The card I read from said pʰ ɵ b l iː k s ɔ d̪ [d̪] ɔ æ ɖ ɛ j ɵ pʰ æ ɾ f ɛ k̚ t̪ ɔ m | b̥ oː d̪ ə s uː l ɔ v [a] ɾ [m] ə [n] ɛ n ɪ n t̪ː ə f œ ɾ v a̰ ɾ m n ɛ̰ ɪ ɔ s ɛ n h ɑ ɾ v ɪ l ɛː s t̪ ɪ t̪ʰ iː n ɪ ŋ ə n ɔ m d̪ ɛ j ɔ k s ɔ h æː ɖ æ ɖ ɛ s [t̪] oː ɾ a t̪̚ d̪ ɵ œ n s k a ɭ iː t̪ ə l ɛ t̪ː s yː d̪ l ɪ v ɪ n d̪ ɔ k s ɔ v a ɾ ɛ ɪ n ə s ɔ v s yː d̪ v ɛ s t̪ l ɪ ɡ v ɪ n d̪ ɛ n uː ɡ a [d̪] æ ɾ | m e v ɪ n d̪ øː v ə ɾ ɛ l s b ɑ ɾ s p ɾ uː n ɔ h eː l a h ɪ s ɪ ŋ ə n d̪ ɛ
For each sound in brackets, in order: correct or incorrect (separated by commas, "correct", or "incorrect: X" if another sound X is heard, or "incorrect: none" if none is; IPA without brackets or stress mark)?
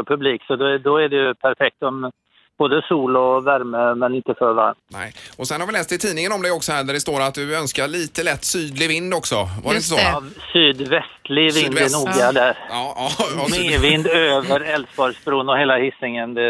correct, incorrect: æ, correct, incorrect: m, correct, correct